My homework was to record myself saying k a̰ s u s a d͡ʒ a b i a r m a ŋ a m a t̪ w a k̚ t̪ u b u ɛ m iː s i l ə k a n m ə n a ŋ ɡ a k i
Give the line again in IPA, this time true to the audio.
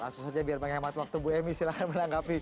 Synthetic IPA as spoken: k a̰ s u s a d͡ʒ a b i a r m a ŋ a m a t̪ w a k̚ t̪ u b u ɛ m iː s i l a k a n m ə n a ŋ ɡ a p i